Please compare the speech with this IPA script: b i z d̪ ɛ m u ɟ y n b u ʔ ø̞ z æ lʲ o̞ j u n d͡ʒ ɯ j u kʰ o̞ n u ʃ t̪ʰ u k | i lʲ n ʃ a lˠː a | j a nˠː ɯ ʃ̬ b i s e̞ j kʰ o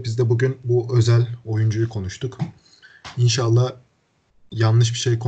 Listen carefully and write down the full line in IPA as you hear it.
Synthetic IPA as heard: b i z d̪ ɛ b u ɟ y n b u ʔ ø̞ z æ lʲ o̞ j u n d͡ʒ u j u kʰ o̞ n u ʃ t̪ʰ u k | i n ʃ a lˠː a | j a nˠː ɯ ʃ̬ b i ʃ e̞ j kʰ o